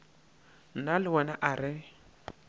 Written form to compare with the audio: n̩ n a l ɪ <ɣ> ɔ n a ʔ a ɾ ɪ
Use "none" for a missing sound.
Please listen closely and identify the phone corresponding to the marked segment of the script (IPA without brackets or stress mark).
w